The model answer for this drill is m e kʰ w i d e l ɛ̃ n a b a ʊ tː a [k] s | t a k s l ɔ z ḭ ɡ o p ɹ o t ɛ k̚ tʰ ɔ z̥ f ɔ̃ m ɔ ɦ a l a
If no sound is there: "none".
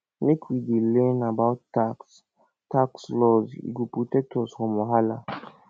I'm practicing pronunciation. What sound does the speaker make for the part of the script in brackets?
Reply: k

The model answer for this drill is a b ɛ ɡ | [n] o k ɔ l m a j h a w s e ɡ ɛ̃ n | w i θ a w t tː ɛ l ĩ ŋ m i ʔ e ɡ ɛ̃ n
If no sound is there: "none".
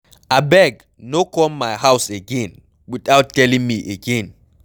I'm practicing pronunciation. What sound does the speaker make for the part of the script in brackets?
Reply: n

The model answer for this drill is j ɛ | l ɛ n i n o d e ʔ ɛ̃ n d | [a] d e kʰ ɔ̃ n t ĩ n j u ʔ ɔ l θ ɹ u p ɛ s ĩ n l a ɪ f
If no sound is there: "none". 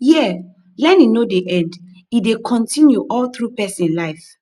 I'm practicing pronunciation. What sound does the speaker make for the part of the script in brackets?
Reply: i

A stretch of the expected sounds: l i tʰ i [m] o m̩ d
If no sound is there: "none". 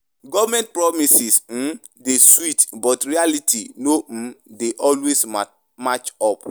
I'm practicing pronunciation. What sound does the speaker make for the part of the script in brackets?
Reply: n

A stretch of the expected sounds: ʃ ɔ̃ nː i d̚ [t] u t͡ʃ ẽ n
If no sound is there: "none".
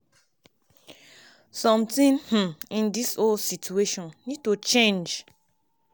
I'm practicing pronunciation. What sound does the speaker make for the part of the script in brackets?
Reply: t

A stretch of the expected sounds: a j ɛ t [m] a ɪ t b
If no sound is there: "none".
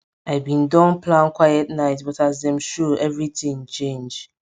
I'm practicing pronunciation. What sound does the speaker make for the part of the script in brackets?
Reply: n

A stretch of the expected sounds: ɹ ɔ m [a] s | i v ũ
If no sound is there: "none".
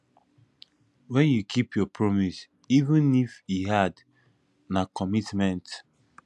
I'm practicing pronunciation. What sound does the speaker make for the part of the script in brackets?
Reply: i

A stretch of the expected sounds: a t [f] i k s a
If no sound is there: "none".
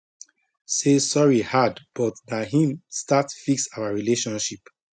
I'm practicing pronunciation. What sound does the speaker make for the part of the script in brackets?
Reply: f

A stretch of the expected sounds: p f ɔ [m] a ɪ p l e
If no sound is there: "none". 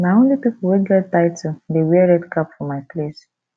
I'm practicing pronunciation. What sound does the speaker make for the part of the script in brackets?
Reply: m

